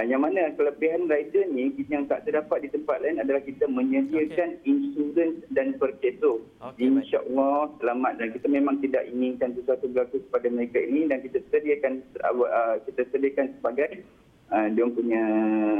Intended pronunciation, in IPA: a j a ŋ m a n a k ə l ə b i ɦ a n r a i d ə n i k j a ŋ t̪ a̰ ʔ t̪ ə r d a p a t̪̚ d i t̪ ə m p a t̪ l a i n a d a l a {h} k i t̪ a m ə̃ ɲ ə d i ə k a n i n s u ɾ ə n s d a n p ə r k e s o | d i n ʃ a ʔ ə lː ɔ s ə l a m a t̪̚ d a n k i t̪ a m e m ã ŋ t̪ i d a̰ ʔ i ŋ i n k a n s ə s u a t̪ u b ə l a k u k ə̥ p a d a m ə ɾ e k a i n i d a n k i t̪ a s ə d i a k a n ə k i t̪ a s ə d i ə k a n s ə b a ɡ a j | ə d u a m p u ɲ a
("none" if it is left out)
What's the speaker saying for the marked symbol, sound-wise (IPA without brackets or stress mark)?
h